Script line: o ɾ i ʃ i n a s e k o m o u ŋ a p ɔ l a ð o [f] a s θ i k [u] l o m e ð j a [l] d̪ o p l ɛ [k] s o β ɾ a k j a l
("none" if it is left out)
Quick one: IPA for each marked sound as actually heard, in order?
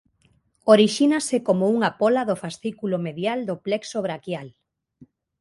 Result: f, u, l, k

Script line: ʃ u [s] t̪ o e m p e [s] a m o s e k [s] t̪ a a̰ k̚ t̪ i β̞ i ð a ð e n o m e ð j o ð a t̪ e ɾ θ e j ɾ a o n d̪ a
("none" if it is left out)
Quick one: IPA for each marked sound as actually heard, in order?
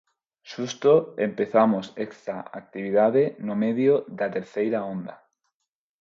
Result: s, θ, s

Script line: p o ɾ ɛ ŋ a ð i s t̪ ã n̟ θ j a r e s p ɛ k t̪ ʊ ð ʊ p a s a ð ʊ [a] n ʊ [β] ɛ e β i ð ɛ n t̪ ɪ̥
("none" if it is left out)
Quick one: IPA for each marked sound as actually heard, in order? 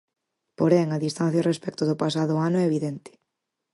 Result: a, none

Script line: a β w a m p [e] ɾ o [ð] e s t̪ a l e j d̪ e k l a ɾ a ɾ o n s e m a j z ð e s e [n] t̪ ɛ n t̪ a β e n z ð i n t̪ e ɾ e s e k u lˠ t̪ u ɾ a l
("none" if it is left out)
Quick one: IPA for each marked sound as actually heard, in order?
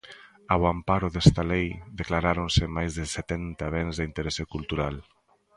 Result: a, ð, none

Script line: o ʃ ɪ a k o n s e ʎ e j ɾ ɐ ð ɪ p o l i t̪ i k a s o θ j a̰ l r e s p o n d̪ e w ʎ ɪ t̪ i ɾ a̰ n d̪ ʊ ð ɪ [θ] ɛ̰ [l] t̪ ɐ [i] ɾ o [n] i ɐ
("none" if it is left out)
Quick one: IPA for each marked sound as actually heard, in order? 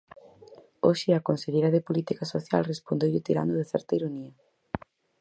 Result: θ, ɾ, i, n

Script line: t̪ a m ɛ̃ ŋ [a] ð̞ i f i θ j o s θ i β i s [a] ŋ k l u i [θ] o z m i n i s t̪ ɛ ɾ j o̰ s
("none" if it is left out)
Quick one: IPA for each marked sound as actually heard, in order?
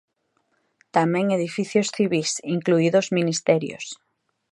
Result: e, i, ð

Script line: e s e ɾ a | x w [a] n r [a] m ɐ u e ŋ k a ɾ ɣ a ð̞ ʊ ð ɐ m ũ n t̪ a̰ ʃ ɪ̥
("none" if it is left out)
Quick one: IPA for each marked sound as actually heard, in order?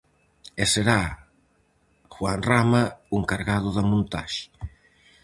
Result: a, a

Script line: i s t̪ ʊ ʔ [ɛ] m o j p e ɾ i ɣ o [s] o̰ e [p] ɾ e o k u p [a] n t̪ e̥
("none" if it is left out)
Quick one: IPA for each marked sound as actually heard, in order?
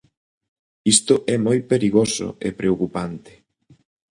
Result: ɛ, s, p, a

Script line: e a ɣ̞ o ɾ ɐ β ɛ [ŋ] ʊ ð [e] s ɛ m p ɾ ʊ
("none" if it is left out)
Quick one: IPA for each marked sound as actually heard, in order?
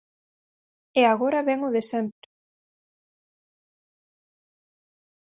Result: ŋ, e

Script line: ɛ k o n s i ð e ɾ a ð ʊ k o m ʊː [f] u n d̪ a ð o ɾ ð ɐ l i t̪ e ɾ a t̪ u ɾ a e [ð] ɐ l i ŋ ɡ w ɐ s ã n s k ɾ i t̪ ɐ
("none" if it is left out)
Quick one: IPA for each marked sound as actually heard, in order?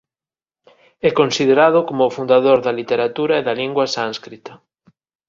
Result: f, ð

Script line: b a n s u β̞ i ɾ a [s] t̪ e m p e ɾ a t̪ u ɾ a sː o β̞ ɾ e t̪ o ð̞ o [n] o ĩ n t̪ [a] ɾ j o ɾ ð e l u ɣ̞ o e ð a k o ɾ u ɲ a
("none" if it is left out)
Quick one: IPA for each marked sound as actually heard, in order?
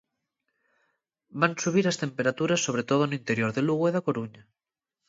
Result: s, n, e

